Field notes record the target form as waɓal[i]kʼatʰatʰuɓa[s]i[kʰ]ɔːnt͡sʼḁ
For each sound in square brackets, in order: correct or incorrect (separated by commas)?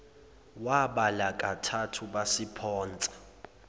incorrect, correct, incorrect